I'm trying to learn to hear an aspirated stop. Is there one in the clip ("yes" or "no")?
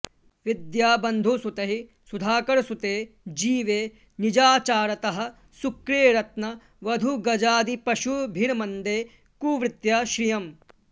no